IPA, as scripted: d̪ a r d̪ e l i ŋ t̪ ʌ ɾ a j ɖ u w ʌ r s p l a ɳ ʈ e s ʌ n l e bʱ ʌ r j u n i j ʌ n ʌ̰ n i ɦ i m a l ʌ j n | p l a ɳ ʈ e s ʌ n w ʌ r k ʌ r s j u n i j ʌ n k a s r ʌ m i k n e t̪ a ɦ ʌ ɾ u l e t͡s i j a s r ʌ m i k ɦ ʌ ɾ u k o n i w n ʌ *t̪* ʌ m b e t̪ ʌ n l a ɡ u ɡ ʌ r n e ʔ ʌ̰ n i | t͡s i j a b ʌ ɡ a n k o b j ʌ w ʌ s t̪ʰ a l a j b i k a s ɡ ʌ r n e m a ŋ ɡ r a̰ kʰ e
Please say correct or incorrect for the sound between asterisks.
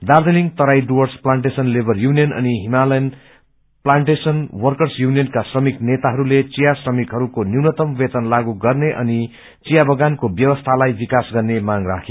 correct